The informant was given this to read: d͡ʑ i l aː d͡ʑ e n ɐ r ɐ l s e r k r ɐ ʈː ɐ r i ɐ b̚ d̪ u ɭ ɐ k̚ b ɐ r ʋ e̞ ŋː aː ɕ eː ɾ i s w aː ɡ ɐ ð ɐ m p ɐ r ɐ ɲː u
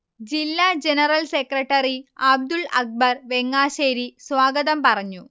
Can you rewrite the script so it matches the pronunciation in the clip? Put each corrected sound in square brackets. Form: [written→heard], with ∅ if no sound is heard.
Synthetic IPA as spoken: d͡ʑ i [l→lː] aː d͡ʑ e n ɐ r ɐ l s e [r→∅] k r ɐ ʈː ɐ r i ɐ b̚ d̪ u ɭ ɐ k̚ b ɐ r ʋ e̞ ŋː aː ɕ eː ɾ i s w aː ɡ ɐ ð ɐ m p ɐ r ɐ ɲː u